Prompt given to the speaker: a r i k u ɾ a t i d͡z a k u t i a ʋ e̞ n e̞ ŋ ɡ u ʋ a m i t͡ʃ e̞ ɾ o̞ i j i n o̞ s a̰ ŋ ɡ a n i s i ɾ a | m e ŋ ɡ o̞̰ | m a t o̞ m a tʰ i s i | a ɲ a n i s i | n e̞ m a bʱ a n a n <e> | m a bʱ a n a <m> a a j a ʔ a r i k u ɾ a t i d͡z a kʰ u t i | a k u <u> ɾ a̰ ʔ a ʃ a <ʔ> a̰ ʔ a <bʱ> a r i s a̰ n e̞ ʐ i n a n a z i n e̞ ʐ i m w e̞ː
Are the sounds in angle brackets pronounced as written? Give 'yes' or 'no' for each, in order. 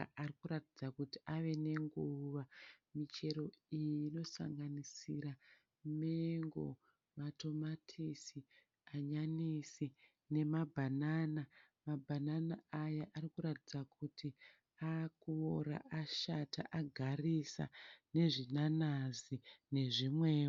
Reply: no, no, no, no, no

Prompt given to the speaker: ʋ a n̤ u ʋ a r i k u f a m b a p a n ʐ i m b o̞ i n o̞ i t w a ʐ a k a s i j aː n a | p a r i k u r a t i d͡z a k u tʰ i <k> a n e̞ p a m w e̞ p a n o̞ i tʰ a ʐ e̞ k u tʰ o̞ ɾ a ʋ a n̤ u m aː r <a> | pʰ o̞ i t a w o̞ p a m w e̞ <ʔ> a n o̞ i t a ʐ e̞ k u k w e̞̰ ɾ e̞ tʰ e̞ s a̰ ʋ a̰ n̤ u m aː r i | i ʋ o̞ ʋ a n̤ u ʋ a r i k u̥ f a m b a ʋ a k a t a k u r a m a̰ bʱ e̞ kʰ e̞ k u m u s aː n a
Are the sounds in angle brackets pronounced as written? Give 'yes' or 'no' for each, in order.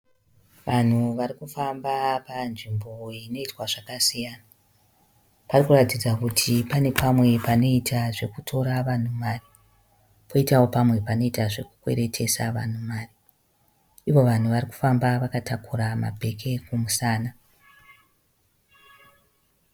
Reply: no, no, no

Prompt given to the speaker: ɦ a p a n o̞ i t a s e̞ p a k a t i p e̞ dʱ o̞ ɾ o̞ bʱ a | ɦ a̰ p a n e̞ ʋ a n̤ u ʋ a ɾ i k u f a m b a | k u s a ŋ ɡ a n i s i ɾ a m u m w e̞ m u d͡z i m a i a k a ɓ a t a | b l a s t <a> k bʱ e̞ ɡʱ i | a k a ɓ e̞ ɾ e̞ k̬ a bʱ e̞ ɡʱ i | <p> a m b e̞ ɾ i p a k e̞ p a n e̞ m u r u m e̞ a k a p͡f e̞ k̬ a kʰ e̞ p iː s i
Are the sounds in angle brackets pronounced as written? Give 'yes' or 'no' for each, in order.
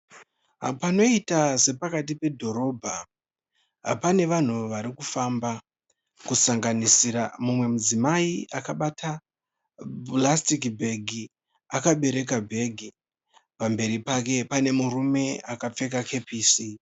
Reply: no, yes

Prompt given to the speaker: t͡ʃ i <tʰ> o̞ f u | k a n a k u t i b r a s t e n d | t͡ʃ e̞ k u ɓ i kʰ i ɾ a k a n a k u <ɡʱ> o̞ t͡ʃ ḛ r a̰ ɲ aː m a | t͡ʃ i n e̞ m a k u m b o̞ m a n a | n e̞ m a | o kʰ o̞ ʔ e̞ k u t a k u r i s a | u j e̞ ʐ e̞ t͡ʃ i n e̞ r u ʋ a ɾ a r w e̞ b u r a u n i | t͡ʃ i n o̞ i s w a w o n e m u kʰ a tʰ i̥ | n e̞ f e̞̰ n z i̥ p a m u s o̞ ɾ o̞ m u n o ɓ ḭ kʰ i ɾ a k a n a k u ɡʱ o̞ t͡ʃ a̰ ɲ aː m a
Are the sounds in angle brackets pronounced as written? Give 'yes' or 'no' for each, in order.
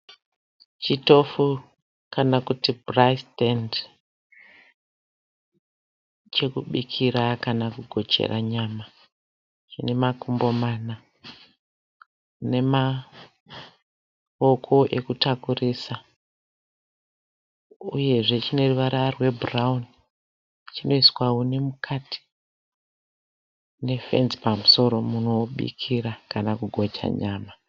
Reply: no, yes

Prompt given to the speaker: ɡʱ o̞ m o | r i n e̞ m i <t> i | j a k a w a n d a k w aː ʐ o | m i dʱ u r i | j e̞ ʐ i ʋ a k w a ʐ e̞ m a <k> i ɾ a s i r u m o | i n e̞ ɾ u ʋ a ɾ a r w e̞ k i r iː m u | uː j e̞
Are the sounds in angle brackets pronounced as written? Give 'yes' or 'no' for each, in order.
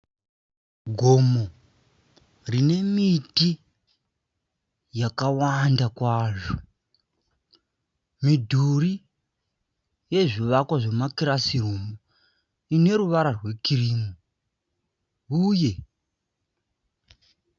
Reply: yes, yes

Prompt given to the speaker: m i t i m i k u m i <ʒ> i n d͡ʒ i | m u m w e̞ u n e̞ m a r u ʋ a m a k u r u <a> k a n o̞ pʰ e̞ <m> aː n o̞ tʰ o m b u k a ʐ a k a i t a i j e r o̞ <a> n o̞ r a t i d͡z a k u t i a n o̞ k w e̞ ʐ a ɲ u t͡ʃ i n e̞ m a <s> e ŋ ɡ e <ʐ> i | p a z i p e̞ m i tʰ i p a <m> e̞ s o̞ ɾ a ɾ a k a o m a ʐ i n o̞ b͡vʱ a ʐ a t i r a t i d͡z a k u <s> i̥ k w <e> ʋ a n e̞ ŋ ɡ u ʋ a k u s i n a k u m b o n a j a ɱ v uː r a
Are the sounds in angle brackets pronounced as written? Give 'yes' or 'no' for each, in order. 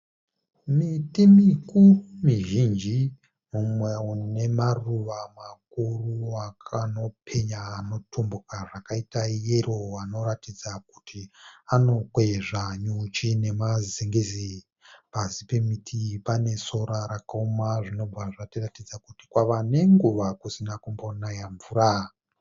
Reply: yes, yes, no, yes, no, no, no, no, no

